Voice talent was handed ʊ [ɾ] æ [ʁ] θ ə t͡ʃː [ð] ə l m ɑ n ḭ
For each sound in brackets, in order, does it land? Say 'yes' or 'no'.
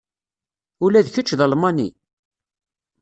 no, no, yes

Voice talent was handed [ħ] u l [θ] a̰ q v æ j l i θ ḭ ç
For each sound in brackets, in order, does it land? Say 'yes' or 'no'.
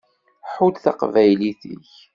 yes, yes

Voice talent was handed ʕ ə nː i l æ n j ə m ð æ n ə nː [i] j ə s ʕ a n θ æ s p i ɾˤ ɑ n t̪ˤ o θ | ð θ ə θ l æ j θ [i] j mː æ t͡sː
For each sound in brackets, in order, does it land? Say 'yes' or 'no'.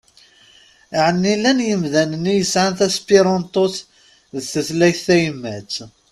yes, no

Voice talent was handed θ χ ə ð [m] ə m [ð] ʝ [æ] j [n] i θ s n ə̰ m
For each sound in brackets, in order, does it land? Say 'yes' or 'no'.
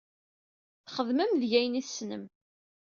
yes, yes, yes, yes

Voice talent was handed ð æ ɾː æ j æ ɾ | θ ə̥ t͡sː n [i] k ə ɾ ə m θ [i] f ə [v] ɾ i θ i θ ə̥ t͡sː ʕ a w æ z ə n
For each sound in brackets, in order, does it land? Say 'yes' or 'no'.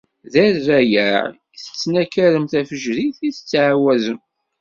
no, no, no

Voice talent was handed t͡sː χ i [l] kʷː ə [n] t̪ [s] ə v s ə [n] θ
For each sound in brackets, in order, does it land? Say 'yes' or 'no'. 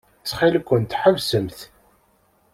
yes, yes, no, no

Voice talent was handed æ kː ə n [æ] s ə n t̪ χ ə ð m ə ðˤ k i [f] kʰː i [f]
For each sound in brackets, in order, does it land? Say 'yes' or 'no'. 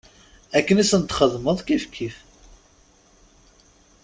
no, yes, yes

